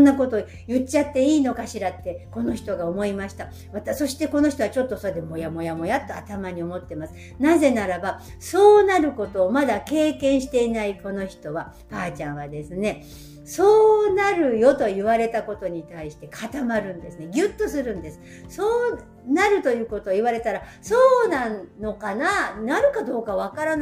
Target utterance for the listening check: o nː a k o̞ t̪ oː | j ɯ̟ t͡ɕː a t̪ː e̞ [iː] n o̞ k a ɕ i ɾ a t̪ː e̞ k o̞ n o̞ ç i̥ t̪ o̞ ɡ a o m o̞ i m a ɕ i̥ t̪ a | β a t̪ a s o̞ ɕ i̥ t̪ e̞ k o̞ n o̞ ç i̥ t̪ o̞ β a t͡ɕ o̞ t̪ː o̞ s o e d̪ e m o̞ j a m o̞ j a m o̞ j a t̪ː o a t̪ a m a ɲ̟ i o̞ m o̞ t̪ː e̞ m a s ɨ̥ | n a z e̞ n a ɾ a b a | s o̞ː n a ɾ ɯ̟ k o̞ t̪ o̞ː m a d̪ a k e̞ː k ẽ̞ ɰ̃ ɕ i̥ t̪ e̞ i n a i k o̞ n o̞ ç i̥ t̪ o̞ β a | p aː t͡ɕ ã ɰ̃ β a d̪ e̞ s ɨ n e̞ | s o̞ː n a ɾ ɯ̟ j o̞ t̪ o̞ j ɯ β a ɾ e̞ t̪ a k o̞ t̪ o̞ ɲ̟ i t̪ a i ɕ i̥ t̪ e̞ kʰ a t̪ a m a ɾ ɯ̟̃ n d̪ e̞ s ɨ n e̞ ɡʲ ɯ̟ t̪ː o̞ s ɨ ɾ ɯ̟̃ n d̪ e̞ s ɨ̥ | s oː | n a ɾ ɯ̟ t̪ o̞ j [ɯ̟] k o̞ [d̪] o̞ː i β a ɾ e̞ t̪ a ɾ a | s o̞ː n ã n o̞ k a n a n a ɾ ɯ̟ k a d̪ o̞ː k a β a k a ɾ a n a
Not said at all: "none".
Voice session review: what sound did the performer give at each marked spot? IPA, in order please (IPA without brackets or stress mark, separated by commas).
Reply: iː, ɯ̟ː, t̪